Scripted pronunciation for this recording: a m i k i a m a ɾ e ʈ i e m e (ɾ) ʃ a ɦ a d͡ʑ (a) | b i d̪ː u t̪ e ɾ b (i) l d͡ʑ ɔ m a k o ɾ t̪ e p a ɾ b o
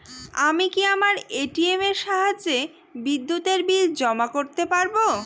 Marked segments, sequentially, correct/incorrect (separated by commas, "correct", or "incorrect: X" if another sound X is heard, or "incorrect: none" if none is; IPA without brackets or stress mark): correct, incorrect: e, correct